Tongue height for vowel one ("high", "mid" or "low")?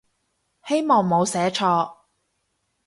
mid